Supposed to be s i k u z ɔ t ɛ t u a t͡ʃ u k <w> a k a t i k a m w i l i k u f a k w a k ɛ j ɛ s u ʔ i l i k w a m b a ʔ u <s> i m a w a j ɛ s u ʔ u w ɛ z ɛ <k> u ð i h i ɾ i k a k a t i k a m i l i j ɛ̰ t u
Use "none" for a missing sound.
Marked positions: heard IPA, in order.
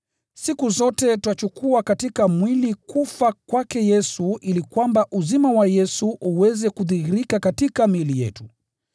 u, z, k

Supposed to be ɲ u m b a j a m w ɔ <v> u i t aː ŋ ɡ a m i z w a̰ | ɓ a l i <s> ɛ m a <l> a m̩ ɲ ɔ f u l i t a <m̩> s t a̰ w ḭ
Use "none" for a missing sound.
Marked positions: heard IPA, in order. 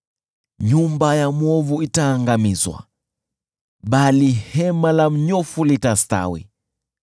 v, h, l, none

